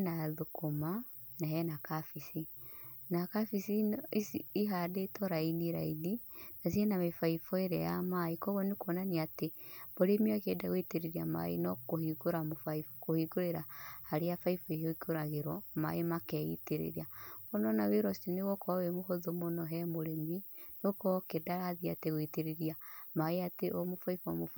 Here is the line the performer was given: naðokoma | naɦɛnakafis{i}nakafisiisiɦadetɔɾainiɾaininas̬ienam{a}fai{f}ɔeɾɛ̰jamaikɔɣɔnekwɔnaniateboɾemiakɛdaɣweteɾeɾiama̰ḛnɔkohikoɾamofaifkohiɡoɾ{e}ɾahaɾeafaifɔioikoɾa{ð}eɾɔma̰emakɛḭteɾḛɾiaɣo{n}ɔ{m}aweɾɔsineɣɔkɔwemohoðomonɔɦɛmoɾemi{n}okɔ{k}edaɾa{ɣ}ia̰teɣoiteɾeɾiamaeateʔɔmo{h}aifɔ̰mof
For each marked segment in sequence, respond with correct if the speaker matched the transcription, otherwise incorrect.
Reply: correct, incorrect, correct, correct, incorrect, correct, incorrect, correct, correct, incorrect, incorrect

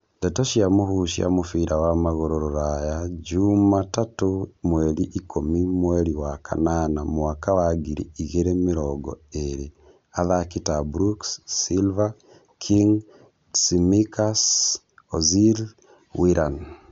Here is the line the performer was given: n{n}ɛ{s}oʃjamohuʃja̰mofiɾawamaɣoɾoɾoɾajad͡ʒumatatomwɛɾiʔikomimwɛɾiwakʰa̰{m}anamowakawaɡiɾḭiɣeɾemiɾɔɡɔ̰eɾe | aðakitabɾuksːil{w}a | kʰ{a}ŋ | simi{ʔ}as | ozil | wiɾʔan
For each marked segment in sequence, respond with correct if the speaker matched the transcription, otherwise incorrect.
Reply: incorrect, incorrect, incorrect, incorrect, incorrect, incorrect

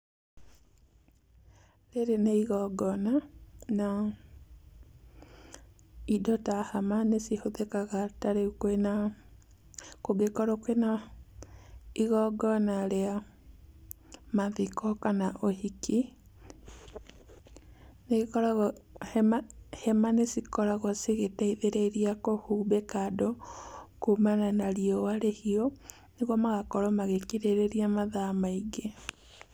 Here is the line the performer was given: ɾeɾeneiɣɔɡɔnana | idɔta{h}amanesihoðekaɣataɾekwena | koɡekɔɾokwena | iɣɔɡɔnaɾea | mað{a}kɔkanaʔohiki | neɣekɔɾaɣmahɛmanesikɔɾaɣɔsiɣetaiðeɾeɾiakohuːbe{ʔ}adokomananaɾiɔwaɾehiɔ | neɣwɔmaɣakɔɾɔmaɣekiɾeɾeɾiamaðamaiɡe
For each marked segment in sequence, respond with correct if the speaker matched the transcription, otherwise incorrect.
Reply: correct, incorrect, incorrect

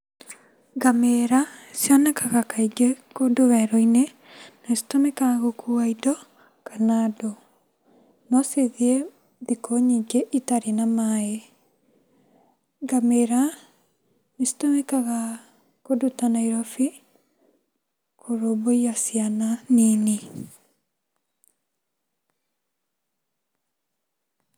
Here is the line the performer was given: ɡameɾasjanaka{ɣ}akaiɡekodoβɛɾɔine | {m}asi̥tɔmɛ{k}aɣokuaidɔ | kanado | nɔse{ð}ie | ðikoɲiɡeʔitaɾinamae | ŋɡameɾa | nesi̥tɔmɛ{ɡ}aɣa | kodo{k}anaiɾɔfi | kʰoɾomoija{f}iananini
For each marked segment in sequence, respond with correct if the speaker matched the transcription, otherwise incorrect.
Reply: correct, incorrect, correct, correct, incorrect, incorrect, incorrect

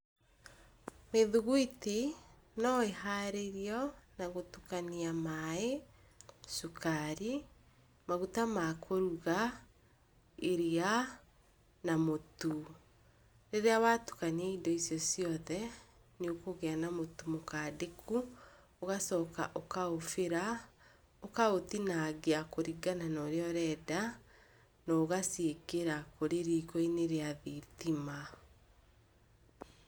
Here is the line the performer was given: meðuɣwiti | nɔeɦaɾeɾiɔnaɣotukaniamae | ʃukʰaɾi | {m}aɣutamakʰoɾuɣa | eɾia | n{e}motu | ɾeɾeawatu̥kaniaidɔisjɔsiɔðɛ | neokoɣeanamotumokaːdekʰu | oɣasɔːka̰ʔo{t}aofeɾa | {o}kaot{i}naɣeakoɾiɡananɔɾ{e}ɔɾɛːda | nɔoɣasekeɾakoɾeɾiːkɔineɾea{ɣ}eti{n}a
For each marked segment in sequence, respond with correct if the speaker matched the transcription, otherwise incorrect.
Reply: correct, incorrect, incorrect, correct, correct, correct, incorrect, incorrect

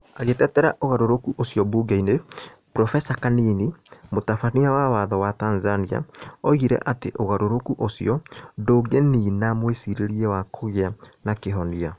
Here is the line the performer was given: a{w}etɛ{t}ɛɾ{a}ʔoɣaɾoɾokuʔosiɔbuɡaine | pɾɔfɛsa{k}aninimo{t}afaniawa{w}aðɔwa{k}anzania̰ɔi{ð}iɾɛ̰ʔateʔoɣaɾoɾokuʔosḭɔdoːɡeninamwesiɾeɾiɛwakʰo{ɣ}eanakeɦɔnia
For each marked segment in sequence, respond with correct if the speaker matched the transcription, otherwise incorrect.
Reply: incorrect, correct, correct, correct, correct, correct, incorrect, incorrect, correct

